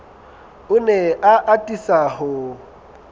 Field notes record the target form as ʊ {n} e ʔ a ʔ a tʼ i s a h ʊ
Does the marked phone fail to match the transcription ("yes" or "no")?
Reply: no